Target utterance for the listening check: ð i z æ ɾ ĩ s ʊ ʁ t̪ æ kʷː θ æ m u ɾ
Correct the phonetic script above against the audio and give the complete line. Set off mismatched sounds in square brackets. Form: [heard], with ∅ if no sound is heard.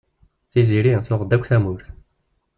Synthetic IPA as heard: [θ] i z [i] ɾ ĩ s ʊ ʁ [d̪] æ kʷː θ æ m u ɾ